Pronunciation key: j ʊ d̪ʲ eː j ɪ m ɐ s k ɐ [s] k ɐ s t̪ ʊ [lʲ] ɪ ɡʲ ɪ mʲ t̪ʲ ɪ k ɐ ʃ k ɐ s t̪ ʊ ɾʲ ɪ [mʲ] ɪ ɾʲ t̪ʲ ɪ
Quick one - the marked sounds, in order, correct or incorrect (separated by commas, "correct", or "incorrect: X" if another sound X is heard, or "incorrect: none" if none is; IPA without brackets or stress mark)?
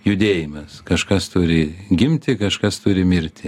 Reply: incorrect: ʃ, incorrect: ɾʲ, correct